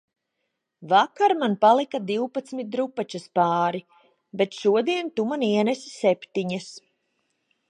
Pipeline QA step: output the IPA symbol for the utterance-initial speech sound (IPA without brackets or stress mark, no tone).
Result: v